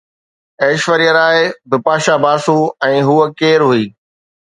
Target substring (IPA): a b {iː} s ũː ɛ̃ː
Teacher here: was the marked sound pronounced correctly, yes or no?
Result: no